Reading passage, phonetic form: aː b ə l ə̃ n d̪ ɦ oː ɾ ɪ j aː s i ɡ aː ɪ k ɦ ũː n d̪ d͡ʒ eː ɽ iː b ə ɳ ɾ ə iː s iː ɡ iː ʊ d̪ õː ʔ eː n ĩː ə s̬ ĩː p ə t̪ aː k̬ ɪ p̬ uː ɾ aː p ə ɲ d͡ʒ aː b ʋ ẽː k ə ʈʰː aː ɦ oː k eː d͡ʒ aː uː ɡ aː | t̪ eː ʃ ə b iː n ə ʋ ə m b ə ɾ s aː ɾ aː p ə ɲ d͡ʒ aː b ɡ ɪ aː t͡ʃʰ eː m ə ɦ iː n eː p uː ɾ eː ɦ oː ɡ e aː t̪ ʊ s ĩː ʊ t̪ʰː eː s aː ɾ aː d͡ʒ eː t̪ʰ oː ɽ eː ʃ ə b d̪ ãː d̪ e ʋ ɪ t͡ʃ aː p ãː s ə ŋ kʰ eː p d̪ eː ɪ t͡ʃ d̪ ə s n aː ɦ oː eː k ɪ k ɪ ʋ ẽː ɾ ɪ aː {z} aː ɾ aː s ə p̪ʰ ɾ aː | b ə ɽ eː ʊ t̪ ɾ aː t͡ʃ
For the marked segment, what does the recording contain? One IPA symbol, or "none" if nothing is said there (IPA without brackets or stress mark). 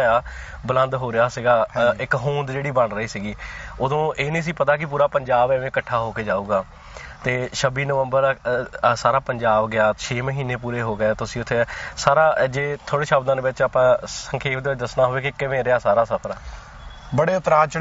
s